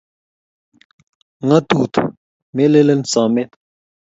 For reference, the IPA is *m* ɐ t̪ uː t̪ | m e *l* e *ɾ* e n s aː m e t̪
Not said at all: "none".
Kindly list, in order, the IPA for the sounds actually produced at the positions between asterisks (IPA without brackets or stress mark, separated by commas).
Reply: ŋ, l, l